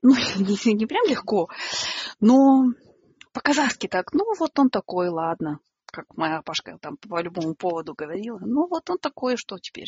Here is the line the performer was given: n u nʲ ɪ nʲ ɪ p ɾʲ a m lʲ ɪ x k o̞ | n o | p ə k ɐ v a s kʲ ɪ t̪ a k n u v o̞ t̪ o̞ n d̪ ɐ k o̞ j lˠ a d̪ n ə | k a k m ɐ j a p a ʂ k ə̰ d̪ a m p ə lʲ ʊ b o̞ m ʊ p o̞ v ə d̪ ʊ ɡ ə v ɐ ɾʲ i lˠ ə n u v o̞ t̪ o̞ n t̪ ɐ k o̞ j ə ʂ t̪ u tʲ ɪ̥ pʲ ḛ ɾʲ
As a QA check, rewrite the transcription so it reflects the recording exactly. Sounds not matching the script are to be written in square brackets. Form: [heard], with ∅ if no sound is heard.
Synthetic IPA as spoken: n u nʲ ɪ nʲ ɪ p ɾʲ a m lʲ ɪ x k o̞ | n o | p ə k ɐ [z] a s kʲ ɪ t̪ a k n u v o̞ t̪ o̞ n [t̪] ɐ k o̞ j lˠ a d̪ n ə | k a k m ɐ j a p a ʂ k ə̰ [t̪] a m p ə lʲ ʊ b o̞ m ʊ p o̞ v ə d̪ ʊ ɡ ə v ɐ ɾʲ i lˠ ə n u v o̞ t̪ o̞ n t̪ ɐ k o̞ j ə ʂ t̪ [o] tʲ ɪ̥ pʲ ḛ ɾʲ